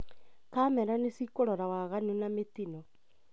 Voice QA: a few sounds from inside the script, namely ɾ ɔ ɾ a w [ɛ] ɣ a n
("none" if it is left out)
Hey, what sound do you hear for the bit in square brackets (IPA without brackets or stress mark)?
a